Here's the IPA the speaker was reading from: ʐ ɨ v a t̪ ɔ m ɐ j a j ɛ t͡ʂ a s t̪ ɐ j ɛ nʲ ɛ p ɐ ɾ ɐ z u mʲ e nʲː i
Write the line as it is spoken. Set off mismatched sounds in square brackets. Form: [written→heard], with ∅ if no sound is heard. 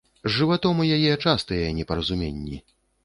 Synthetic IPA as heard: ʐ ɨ v a t̪ ɔ m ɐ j a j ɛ t͡ʂ a s t̪ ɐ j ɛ nʲ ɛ p ɐ ɾ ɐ z u mʲ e nʲː i